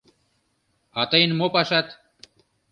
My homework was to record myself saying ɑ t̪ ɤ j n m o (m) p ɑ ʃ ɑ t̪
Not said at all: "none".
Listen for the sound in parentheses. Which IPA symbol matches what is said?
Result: none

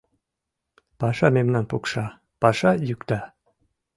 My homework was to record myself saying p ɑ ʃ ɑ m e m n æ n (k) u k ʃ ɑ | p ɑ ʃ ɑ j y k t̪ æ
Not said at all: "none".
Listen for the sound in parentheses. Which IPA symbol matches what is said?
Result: p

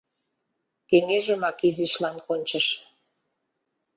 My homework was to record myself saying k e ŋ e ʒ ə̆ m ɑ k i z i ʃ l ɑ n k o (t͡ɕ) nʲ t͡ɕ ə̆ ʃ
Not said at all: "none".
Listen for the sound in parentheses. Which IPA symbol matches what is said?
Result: none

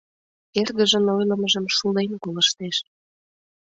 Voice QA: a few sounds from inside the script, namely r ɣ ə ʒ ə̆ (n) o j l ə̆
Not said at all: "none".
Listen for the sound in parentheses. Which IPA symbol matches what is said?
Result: n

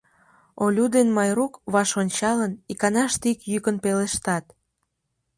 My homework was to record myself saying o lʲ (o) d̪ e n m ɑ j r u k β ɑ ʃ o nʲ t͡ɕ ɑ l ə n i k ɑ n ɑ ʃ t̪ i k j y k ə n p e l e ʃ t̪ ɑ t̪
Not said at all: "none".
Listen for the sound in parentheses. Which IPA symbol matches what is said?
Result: u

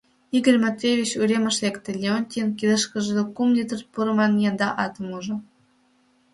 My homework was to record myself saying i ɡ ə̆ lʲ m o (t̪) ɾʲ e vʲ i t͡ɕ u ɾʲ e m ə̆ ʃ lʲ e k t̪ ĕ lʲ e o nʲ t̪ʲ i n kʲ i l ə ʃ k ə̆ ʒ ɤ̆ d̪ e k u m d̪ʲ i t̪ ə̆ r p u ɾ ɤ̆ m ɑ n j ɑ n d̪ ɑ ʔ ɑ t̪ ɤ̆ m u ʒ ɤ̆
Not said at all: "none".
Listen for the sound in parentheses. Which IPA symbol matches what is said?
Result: t̪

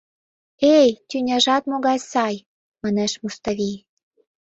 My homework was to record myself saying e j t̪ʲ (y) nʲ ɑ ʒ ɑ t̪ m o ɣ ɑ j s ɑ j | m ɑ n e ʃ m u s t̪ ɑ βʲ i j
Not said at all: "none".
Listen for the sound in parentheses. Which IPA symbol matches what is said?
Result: y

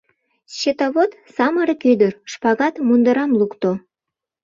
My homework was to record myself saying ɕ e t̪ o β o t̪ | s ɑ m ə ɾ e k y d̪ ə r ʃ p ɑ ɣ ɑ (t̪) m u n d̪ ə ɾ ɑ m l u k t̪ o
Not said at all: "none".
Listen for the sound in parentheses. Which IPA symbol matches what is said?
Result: t̪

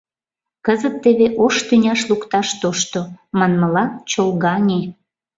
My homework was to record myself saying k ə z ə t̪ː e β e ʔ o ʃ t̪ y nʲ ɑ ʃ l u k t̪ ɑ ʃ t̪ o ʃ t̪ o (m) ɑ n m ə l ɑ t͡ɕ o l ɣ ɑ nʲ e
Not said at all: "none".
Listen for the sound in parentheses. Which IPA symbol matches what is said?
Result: m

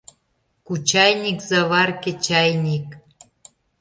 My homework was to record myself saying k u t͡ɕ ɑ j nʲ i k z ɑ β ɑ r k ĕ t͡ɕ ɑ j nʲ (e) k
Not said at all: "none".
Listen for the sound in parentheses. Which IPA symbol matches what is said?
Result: i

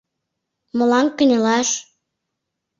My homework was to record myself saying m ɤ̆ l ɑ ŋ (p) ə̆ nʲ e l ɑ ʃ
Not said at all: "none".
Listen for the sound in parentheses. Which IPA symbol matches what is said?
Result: k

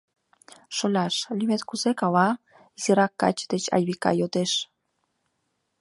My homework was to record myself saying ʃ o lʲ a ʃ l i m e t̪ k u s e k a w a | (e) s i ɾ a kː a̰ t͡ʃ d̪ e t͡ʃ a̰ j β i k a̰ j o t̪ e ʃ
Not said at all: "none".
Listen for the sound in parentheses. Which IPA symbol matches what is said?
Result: i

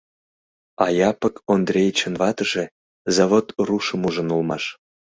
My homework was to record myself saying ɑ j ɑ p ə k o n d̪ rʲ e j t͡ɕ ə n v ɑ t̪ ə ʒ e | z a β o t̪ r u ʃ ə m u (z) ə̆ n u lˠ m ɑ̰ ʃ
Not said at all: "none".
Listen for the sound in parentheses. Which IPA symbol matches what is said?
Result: ʒ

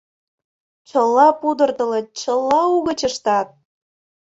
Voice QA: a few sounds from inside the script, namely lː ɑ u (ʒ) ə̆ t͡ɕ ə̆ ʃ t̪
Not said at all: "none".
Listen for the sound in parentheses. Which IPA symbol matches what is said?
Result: ɣ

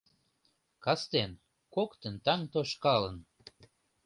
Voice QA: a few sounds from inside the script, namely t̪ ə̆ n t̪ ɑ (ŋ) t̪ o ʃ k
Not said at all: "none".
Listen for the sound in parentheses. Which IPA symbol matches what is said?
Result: ŋ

